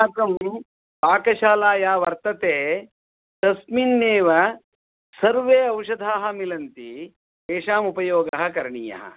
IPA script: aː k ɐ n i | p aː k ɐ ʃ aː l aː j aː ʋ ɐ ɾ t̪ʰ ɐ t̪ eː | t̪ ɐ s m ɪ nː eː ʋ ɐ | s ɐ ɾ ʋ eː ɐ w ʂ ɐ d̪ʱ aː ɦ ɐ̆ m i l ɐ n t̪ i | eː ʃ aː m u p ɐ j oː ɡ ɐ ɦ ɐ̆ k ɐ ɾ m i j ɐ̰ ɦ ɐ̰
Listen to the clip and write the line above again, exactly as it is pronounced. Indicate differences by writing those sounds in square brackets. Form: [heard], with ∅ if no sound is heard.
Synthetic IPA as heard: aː k ɐ [m] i | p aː k ɐ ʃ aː l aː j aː ʋ ɐ ɾ [t̪] ɐ t̪ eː | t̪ ɐ s m [i] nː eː ʋ ɐ | s ɐ ɾ ʋ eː ɐ w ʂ ɐ d̪ʱ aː ɦ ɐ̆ m i l ɐ n t̪ i | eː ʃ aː m u p ɐ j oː ɡ ɐ ɦ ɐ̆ k ɐ ɾ [ɳ] i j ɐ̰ ɦ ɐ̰